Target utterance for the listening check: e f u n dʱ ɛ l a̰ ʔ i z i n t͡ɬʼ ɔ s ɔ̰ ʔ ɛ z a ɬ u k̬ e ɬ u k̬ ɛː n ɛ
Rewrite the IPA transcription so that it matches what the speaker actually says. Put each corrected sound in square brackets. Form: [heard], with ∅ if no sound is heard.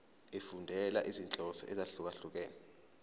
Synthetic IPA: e f u n dʱ ɛ l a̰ ʔ i z i n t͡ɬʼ ɔ s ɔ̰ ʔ ɛ z a ɬ u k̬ [a] ɬ u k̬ ɛː n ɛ